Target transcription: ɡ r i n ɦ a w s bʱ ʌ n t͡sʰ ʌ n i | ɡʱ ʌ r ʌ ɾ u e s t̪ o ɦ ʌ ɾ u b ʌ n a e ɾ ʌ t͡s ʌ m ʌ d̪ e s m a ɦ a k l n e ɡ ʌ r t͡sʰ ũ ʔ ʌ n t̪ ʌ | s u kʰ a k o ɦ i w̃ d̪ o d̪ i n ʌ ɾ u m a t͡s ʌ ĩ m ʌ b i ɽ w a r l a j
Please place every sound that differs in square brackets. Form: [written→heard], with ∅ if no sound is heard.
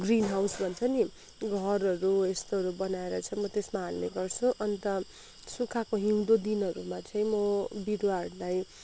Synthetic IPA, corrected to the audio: ɡ r i n ɦ a w s bʱ ʌ n t͡sʰ ʌ n i | ɡʱ ʌ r ʌ ɾ u e s t̪ o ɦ ʌ ɾ u b ʌ n a e ɾ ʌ [t͡s→t͡sʰ] ʌ m ʌ [d̪→t̪] e s m a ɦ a [k→∅] l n e ɡ ʌ r t͡sʰ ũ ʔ ʌ n t̪ ʌ | s u kʰ a k o ɦ i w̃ d̪ o d̪ i n ʌ ɾ u m a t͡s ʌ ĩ m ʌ b i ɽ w a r l a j